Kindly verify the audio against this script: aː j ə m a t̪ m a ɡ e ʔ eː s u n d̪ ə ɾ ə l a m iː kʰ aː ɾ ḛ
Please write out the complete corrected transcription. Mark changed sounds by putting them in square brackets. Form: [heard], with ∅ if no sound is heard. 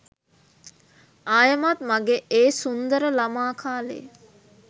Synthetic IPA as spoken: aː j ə m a t̪ m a ɡ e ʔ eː s u n d̪ ə ɾ ə l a m [aː] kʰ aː [l] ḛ